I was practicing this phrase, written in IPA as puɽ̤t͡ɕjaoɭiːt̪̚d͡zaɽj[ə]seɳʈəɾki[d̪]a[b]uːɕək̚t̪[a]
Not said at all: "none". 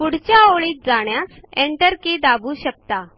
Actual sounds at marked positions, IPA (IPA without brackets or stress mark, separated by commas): a, d̪, b, a